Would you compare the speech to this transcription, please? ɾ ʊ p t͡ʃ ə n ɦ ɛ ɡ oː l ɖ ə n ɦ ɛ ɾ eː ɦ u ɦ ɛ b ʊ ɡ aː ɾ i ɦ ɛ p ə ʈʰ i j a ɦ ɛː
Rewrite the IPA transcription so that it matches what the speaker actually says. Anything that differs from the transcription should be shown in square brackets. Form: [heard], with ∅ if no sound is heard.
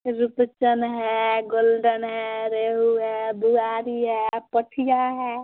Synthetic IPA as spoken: ɾ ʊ p t͡ʃ ə n ɦ ɛ ɡ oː l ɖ ə n ɦ ɛ ɾ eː ɦ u ɦ ɛ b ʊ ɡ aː ɾ i ɦ ɛ p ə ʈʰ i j a ɦ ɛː